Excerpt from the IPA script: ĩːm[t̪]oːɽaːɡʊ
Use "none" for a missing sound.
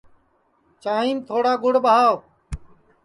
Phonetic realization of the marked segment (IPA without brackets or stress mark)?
t̪ʰ